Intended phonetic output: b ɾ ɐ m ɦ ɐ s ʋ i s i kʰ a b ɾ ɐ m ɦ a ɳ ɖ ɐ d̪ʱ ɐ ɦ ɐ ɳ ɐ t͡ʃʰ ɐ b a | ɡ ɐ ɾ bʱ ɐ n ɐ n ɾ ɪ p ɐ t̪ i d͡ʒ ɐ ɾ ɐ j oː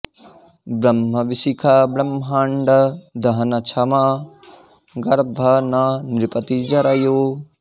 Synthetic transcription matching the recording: b ɾ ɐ m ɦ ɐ ʋ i s i kʰ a b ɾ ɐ m ɦ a ɳ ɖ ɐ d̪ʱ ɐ ɦ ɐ n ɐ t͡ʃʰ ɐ m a | ɡ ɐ ɾ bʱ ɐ n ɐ n ɾ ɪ p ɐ t̪ i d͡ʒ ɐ ɾ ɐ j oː

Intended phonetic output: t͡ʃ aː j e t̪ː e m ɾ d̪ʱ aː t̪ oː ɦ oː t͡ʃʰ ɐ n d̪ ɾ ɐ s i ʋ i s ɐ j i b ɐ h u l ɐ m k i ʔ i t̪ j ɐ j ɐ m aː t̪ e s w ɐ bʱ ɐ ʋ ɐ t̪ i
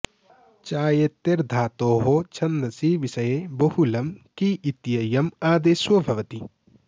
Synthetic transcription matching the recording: t͡ʃ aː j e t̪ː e ɾ d̪ʱ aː t̪ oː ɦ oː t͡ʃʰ ɐ n d̪ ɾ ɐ s i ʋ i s ɐ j e b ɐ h u l ɐ m k i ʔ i t̪ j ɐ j ɐ m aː d̪ e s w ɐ bʱ ɐ ʋ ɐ t̪ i

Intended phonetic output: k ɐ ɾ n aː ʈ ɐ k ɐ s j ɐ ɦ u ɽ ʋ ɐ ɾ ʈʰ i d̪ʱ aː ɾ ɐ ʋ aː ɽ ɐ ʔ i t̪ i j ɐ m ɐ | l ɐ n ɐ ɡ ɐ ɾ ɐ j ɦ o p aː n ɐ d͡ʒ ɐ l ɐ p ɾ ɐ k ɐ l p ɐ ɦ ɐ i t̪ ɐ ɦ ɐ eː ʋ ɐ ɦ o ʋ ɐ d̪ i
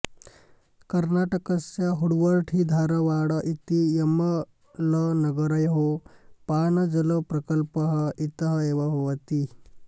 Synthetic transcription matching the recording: k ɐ ɾ n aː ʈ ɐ k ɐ s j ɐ ɦ u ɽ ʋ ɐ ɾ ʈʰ i d̪ʱ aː ɾ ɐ ʋ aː ɽ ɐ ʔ i t̪ i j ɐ m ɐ | l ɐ n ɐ ɡ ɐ ɾ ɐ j ɦ o p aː n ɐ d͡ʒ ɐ l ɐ p ɾ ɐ k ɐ l p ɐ ɦ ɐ i t̪ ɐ ɦ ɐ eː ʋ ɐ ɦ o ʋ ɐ t̪ i

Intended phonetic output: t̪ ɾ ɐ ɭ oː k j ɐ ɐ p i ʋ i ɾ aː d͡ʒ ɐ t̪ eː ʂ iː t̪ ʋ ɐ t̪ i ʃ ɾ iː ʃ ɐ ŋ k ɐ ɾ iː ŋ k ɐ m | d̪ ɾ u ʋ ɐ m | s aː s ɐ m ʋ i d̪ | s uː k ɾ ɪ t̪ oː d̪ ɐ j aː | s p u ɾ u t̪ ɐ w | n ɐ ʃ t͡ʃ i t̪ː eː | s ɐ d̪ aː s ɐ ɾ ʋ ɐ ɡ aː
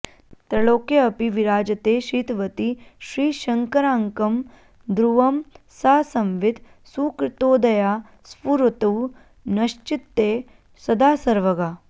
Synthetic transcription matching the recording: t̪ ɾ ɐ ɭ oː k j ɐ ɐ p i ʋ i ɾ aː d͡ʒ ɐ t̪ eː ʃ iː t̪ ʋ ɐ t̪ i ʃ ɾ iː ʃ ɐ ŋ k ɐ ɾ aː ŋ k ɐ m | d̪ ɾ u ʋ ɐ m | s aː s ɐ m ʋ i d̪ | s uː k ɾ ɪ t̪ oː d̪ ɐ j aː | s p u ɾ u t̪ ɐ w | n ɐ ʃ t͡ʃ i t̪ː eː | s ɐ d̪ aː s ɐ ɾ ʋ ɐ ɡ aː

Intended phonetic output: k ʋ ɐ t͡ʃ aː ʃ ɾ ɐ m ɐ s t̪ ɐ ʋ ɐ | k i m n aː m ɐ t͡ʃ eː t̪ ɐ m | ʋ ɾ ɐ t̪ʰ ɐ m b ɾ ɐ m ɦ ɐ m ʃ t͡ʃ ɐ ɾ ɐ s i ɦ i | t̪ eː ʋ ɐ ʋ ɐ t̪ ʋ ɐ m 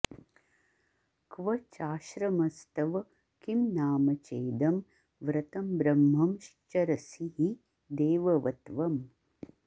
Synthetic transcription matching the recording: k ʋ ɐ t͡ʃ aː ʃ ɾ ɐ m ɐ s t̪ ɐ ʋ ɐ | k i m n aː m ɐ t͡ʃ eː d̪ ɐ m | ʋ ɾ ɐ t̪ ɐ m b ɾ ɐ m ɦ ɐ m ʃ t͡ʃ ɐ ɾ ɐ s i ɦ i | d̪ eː ʋ ɐ ʋ ɐ t̪ ʋ ɐ m

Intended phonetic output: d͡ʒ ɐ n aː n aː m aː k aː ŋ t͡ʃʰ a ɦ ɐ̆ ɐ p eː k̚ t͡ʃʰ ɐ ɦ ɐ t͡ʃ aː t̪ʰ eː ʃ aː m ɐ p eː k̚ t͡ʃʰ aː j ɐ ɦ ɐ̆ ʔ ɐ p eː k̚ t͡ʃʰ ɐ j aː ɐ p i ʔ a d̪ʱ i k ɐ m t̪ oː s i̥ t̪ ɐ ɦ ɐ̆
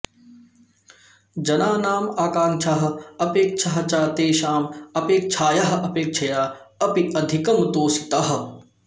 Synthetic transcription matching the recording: d͡ʒ ɐ n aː n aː m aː k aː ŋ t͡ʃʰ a ɦ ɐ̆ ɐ p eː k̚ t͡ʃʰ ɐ ɦ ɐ t͡ʃ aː t̪ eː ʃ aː m ɐ p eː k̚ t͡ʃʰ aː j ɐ ɦ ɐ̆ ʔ ɐ p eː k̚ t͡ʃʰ ɐ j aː ɐ p i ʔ ɐ d̪ʱ i k ɐ m t̪ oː s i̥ t̪ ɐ ɦ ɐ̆

